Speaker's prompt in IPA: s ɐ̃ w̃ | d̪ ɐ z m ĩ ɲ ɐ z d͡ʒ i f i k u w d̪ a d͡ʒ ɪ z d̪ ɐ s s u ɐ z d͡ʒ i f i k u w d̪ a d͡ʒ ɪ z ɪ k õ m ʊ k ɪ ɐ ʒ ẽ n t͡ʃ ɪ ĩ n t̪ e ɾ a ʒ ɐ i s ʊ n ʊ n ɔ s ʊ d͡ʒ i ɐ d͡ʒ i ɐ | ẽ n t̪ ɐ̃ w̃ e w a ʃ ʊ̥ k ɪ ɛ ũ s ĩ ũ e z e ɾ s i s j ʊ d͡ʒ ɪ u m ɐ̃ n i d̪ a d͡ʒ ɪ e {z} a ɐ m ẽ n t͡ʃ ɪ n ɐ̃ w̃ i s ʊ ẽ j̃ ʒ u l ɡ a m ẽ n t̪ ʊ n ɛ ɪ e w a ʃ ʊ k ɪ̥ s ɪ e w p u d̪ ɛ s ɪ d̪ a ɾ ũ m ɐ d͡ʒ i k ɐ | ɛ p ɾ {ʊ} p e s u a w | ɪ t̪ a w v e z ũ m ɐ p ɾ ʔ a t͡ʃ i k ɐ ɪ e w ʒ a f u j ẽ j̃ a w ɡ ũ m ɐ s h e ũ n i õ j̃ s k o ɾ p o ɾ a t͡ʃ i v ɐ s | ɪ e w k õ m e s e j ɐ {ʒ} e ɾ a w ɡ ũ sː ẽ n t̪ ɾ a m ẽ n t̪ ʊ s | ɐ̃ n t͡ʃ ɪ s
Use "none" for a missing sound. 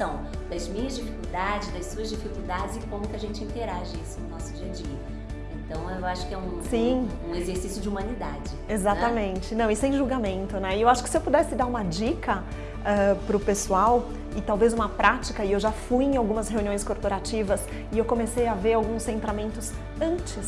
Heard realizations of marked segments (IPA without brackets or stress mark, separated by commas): z, ʊ, v